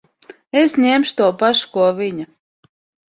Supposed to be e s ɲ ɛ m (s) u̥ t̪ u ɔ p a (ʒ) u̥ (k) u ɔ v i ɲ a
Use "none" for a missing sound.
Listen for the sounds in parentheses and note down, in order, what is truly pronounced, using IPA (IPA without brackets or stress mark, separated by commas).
ʃ, ʃ, k